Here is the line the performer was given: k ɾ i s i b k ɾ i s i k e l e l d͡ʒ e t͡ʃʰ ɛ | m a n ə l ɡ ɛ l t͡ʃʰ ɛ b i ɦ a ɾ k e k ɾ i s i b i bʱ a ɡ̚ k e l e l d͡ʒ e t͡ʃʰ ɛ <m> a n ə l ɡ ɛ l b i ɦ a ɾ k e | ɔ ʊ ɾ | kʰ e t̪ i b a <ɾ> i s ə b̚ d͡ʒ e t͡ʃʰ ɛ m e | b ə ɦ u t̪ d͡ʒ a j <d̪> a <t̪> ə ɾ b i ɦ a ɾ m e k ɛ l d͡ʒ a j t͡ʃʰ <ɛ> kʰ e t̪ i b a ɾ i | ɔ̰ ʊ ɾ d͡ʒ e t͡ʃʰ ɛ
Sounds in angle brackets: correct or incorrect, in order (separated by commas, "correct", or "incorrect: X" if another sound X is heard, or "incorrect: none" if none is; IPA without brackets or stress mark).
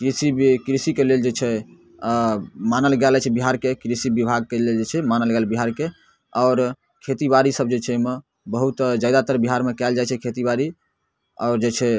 correct, correct, correct, correct, correct